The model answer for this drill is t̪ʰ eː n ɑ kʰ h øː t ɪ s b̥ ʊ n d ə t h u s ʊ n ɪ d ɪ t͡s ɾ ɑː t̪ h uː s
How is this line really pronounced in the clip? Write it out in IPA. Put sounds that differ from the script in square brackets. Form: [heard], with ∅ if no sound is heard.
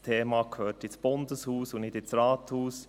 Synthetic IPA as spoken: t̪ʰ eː [m] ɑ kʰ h øː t ɪ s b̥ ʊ n d ə [s] h [uː] s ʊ n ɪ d ɪ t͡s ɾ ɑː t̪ h uː s